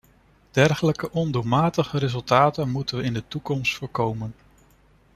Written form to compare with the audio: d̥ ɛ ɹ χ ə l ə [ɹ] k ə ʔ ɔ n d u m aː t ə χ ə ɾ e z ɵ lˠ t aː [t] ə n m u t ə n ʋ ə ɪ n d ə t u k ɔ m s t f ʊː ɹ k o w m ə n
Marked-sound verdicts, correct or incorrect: incorrect: none, correct

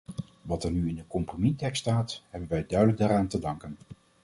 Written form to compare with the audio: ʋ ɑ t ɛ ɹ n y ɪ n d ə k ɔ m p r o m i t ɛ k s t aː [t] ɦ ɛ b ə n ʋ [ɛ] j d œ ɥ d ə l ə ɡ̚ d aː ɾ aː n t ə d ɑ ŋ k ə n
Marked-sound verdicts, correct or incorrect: correct, correct

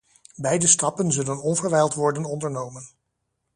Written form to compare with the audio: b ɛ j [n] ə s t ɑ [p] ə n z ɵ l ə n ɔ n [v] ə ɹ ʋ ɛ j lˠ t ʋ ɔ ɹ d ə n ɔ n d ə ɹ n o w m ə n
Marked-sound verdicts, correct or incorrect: incorrect: d, correct, correct

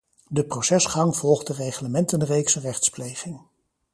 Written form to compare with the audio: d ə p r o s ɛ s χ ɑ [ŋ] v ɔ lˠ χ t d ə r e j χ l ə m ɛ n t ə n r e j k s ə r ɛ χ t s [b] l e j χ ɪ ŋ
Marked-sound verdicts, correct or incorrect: correct, incorrect: p

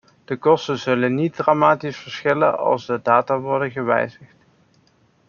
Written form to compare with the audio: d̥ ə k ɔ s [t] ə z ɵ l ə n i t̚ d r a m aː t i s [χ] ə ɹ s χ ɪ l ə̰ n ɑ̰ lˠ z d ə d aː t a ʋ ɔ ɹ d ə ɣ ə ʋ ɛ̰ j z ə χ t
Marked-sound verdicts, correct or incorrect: correct, incorrect: f

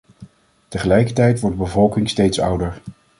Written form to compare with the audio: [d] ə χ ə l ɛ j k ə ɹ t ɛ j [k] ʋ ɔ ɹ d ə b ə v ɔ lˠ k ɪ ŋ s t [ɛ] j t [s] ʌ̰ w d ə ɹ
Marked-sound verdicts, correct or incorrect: incorrect: t, incorrect: t, incorrect: e, correct

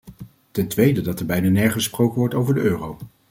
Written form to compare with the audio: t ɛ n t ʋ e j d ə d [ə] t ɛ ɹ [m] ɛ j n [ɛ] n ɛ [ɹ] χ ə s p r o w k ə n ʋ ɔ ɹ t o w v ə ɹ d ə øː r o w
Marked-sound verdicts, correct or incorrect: incorrect: ɑ, incorrect: b, incorrect: a, correct

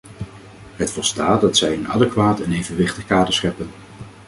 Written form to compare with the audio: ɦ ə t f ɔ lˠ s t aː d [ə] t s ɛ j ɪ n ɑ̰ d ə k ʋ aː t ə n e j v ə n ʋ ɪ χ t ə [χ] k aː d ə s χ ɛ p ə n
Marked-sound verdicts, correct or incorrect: incorrect: ɑ, correct

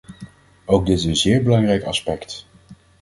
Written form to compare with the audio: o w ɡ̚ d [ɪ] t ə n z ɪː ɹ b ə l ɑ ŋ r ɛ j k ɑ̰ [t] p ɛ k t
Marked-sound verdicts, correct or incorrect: correct, incorrect: s

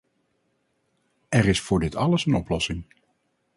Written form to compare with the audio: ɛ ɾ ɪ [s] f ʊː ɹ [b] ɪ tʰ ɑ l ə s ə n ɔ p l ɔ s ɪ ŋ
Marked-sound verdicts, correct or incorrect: correct, incorrect: d

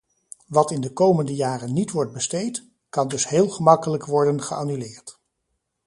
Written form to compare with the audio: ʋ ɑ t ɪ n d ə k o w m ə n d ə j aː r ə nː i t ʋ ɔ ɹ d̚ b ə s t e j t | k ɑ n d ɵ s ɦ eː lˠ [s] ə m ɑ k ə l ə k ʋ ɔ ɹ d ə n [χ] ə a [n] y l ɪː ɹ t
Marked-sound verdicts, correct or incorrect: incorrect: χ, correct, correct

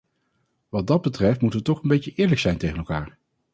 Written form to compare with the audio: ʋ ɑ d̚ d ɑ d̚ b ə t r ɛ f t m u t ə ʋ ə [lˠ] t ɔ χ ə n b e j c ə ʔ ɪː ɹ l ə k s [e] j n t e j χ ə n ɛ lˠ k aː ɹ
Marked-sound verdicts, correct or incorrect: incorrect: none, incorrect: ɛ

